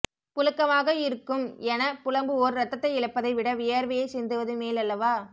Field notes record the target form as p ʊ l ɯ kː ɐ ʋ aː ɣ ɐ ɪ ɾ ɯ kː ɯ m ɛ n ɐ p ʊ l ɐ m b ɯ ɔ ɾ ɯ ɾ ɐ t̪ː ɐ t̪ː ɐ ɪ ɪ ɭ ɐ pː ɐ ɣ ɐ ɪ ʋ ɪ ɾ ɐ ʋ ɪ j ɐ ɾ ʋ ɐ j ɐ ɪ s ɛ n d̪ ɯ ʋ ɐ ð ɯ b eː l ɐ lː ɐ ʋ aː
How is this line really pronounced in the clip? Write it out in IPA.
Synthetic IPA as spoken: p ʊ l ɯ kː ɐ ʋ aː ɣ ɐ ɪ ɾ ɯ kː ɯ m ɛ n ɐ p ʊ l ɐ m b ɯ ɔ ɾ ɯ ɾ ɐ t̪ː ɐ t̪ː ɐ ɪ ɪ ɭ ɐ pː ɐ ð ɐ ɪ ʋ ɪ ɽ ɐ ʋ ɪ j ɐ ɾ ʋ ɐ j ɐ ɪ s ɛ n d̪ ɯ ʋ ɐ ð ɯ m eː l ɐ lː ɐ ʋ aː